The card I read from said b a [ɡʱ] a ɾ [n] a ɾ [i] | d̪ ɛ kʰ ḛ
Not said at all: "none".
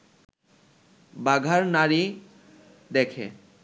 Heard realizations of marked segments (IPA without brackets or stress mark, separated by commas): ɡʱ, n, i